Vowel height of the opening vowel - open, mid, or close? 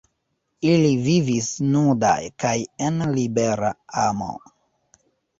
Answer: close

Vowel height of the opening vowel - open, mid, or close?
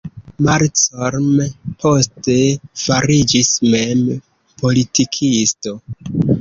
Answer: open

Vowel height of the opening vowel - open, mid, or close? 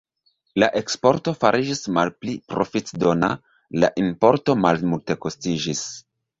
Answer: open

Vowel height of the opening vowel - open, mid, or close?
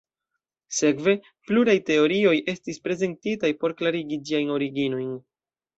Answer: mid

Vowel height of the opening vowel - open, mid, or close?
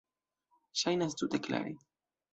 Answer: open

